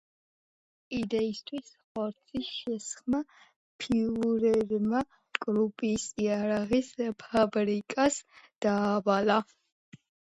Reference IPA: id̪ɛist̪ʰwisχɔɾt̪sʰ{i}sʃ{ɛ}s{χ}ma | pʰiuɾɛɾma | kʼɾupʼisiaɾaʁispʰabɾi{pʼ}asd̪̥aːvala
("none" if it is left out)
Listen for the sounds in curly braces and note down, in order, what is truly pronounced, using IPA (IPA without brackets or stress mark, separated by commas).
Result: i, ɛ, χ, kʼ